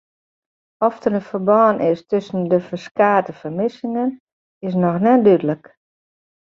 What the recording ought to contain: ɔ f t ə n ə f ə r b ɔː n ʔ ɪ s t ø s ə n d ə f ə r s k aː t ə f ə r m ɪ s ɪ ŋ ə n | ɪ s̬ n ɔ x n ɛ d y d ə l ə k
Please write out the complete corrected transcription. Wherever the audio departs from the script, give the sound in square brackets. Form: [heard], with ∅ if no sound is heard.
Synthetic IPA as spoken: ɔ f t ə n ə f ə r b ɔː n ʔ ɪ s t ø s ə n d ə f ə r s k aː t ə f ə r m ɪ s ɪ ŋ ə n | ɪ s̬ n ɔ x n ɛ d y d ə l ə k